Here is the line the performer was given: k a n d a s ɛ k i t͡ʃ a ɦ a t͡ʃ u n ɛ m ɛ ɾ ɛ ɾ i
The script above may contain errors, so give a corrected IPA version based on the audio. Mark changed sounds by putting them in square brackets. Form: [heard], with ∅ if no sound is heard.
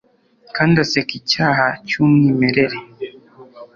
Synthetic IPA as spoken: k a n d a s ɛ k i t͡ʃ a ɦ a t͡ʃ u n [i] m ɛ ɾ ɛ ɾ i